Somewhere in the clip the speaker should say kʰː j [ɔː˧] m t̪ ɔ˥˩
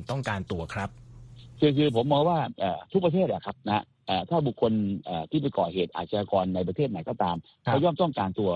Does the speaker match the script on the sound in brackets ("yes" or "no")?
no